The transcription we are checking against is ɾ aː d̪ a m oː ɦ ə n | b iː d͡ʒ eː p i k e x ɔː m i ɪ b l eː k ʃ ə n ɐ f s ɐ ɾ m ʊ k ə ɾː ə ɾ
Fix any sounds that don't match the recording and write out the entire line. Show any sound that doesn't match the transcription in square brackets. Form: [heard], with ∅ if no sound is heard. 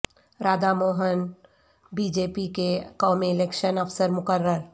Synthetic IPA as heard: ɾ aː d̪ a m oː ɦ ə n | b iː d͡ʒ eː p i k e [k] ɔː m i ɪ [∅] l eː k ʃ ə n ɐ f s [ə] ɾ m ʊ k ə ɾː ə ɾ